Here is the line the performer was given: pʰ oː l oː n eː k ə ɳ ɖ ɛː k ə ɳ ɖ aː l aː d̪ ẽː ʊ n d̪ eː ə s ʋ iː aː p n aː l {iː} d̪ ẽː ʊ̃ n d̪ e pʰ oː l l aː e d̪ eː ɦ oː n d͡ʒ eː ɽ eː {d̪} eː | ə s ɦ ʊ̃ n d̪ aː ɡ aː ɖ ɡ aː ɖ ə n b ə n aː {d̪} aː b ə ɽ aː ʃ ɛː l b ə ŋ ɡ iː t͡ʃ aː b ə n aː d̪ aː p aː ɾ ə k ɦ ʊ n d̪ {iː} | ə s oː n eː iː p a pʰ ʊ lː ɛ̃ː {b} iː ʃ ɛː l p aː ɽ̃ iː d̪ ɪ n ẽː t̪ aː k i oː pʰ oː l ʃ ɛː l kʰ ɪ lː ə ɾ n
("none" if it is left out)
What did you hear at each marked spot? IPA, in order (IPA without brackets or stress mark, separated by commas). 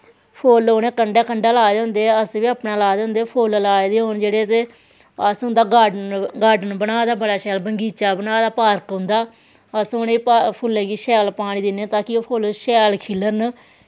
aː, t̪, d̪, aː, ɡ